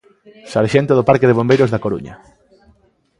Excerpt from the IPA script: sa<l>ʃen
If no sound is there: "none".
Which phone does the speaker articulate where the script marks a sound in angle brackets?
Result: ɾ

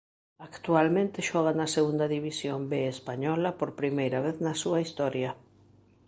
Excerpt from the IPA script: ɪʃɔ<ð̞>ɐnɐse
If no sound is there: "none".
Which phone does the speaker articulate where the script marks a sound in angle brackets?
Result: ɣ̞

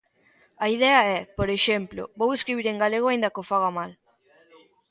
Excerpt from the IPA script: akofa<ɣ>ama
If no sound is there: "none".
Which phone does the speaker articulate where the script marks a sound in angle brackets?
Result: ɣ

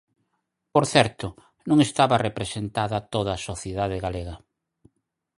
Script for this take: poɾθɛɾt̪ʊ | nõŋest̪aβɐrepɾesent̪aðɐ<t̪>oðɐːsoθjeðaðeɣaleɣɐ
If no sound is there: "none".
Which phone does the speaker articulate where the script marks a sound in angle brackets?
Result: t̪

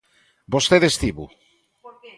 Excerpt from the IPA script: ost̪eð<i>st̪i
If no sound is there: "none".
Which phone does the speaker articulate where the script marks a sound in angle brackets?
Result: e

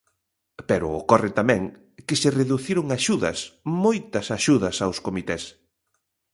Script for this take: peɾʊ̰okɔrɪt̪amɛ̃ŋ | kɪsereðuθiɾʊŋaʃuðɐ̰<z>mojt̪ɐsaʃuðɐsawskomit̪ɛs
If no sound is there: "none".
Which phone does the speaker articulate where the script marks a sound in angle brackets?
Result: s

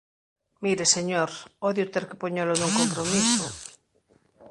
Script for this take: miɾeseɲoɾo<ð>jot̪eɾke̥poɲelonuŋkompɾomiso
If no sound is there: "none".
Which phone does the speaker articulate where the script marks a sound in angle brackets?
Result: ð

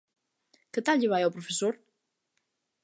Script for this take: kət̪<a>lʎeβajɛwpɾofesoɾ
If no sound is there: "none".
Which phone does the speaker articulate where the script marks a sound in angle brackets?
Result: a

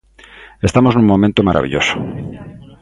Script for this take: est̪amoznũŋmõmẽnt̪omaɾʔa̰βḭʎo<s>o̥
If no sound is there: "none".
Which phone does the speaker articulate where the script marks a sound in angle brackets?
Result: s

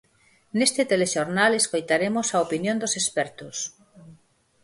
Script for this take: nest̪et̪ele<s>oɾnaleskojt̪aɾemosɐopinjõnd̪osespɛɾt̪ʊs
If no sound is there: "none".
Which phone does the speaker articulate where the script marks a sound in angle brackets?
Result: ʃ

